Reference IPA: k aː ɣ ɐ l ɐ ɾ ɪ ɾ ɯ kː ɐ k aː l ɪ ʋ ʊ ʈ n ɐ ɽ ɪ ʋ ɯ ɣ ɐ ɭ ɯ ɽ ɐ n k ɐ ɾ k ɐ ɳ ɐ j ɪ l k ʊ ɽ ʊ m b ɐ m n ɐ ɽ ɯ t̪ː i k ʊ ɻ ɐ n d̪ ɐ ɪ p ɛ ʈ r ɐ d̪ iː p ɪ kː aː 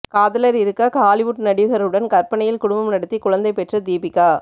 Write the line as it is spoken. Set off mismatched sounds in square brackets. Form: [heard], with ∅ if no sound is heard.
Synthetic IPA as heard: k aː [ð] ɐ l ɐ ɾ ɪ ɾ ɯ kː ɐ k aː l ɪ ʋ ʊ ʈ n ɐ ɽ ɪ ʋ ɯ ɣ ɐ [ɾ] ɯ ɽ ɐ n k ɐ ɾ [p] ɐ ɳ ɐ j ɪ l k ʊ ɽ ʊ m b ɐ m n ɐ ɽ ɯ t̪ː i k ʊ ɻ ɐ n d̪ ɐ ɪ p ɛ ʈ r ɐ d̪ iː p ɪ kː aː